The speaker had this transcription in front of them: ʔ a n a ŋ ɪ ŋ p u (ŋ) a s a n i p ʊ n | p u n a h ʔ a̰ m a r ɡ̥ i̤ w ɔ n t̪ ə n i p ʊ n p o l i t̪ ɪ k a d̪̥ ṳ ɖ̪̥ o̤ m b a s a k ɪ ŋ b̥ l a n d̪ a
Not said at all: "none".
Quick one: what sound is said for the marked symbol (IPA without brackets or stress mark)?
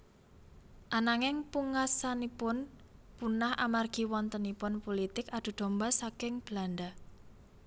ŋ